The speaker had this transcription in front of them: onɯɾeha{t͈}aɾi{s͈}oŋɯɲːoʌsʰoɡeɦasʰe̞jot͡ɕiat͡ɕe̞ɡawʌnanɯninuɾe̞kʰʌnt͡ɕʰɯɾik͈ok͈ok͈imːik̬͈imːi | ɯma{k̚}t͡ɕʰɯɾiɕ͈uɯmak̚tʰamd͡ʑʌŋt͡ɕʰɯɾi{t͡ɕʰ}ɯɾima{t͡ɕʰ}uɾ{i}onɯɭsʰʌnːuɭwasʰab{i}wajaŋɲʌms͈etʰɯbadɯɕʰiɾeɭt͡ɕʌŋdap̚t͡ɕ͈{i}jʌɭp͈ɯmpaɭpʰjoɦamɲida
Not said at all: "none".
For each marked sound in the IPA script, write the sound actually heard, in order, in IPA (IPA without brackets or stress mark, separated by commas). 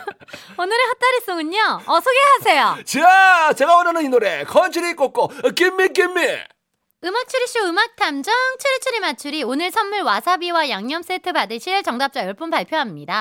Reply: t͈, s͈, k̚, t͡ɕʰ, t͡ɕʰ, i, i, a